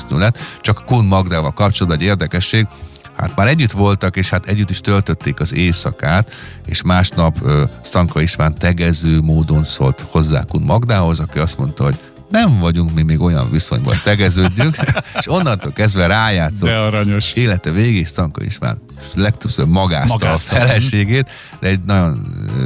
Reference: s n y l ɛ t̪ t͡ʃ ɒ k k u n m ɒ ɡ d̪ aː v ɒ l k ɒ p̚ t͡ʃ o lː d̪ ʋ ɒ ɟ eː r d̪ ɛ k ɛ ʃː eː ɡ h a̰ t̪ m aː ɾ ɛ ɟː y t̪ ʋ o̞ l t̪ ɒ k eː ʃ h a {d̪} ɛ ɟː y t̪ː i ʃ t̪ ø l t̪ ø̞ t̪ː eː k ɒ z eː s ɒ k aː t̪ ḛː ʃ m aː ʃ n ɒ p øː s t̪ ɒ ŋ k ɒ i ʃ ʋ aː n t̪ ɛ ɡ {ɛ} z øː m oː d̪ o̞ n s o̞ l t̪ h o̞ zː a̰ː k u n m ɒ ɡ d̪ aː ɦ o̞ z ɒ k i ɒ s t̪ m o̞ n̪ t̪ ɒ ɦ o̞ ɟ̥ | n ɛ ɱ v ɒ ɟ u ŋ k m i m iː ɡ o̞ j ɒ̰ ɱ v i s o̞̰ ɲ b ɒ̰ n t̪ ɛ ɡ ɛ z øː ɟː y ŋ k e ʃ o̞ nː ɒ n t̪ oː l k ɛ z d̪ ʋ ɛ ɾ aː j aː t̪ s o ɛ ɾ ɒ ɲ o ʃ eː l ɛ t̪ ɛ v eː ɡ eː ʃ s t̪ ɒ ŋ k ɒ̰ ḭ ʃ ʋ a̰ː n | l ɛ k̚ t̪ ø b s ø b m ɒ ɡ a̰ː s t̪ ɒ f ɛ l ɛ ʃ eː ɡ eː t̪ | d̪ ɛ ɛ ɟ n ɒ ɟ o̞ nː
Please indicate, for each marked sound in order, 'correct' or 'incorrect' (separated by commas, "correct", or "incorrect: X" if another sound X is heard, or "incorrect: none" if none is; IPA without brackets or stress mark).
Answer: incorrect: t̪, correct